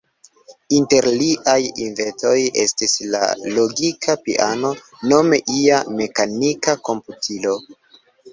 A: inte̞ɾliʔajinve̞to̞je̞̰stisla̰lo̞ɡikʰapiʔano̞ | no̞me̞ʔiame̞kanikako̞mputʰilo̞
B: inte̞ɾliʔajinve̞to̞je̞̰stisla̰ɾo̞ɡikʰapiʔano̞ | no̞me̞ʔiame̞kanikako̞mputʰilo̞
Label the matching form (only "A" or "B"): A